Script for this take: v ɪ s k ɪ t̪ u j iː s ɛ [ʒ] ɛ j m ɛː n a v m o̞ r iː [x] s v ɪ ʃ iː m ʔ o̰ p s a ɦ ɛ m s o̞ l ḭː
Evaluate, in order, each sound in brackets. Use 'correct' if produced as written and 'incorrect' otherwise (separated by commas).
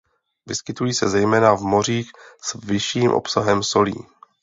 incorrect, correct